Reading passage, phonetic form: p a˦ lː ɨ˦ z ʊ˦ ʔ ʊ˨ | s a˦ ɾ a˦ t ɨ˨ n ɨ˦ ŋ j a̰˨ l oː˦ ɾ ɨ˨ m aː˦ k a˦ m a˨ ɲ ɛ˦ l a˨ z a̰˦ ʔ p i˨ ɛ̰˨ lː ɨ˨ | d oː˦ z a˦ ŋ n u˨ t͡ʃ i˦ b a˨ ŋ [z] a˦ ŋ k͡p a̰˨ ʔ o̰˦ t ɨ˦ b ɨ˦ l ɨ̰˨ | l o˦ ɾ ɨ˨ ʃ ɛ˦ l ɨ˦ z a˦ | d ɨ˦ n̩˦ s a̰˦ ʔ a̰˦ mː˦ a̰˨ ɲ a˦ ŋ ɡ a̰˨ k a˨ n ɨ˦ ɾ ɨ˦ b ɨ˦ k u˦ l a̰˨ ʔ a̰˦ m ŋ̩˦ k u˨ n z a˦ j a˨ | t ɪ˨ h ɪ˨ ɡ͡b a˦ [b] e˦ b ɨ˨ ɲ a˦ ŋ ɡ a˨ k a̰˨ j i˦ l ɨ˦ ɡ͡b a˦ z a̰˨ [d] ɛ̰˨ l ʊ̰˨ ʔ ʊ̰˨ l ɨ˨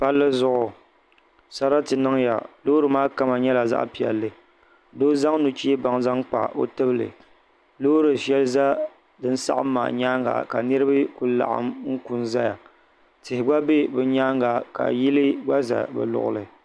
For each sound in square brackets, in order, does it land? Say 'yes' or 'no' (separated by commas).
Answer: yes, yes, no